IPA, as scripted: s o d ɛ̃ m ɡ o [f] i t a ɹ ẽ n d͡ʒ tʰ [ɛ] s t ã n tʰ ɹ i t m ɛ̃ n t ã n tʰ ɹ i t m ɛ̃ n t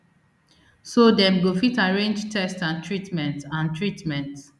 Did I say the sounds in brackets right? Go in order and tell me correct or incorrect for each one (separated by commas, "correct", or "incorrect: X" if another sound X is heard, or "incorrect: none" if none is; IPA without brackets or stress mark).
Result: correct, correct